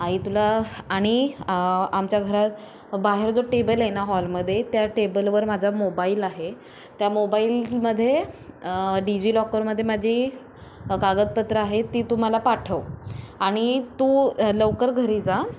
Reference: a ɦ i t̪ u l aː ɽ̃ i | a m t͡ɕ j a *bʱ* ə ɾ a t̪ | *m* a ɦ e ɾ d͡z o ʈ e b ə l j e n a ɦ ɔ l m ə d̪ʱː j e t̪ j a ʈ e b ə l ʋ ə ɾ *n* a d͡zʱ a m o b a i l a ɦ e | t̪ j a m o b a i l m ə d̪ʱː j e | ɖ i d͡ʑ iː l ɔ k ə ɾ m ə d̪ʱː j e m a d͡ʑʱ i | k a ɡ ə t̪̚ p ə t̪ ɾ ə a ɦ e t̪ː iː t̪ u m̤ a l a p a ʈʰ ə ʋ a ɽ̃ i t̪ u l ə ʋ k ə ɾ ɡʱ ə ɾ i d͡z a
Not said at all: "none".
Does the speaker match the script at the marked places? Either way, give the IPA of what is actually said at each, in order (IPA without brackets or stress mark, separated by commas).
ɡʱ, b, m